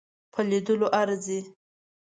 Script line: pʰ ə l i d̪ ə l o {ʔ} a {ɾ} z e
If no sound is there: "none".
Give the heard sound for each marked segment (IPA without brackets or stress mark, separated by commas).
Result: ʔ, ɾ